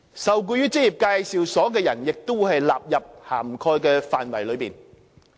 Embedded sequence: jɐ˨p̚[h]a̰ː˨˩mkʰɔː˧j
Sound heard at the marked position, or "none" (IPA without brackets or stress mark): h